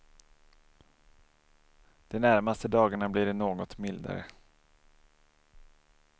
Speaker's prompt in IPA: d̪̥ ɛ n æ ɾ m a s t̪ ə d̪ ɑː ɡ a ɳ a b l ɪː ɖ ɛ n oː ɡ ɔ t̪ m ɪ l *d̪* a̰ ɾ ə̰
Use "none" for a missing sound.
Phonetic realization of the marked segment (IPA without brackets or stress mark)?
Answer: d̪